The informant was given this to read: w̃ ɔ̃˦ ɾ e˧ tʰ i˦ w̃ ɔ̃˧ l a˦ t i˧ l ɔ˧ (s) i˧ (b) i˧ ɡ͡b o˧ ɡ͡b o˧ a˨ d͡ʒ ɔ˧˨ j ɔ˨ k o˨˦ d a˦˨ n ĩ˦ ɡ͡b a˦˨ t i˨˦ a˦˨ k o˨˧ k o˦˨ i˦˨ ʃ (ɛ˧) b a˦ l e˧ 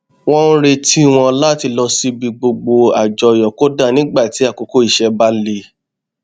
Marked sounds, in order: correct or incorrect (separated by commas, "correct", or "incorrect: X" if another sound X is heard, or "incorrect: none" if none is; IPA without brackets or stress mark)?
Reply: correct, correct, correct